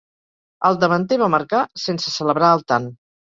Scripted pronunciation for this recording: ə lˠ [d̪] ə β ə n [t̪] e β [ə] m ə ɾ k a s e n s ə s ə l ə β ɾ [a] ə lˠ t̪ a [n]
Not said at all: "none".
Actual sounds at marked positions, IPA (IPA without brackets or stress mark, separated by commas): d̪, t̪, a, a, n